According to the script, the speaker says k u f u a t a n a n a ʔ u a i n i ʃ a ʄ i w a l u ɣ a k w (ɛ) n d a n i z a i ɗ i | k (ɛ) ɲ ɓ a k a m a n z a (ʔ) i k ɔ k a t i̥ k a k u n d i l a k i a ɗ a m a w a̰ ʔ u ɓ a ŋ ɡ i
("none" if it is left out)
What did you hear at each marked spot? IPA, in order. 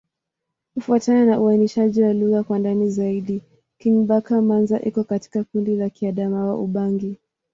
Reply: a, i, ʔ

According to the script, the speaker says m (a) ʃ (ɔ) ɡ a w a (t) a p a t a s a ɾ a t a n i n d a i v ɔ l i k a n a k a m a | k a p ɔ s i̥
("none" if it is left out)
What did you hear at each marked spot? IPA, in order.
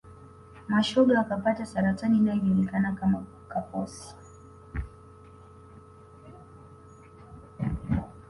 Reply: a, ɔ, k

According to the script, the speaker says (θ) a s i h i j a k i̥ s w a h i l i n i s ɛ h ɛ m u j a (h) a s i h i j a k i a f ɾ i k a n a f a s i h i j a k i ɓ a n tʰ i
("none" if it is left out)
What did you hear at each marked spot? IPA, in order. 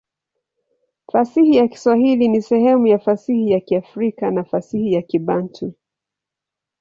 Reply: f, f

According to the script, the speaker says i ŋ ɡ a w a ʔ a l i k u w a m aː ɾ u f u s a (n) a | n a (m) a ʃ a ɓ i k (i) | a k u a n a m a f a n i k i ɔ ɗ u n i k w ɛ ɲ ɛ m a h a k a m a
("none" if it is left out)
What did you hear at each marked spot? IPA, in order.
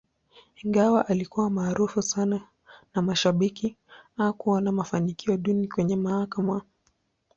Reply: n, m, i

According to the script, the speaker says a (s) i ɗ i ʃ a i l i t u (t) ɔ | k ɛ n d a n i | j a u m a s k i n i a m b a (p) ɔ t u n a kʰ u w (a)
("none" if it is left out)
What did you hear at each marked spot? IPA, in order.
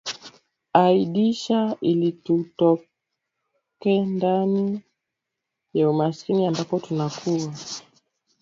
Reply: none, t, p, a

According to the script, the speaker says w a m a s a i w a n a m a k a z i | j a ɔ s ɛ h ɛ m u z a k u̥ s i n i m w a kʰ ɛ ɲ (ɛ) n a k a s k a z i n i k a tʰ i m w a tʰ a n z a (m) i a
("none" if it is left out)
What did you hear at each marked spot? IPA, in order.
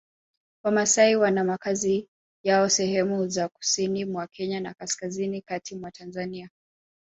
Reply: a, n

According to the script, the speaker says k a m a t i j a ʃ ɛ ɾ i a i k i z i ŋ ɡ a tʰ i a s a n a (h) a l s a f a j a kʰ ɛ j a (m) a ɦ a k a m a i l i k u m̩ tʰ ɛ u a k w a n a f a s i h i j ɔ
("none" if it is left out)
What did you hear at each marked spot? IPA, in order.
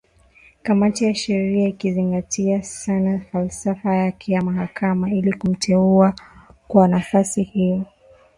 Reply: f, m

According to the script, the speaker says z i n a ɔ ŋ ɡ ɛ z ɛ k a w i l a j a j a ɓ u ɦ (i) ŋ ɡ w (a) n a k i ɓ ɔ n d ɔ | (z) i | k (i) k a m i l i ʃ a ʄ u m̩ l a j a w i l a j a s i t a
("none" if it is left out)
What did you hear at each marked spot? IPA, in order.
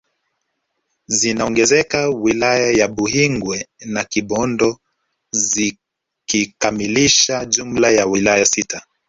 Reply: i, ɛ, z, i

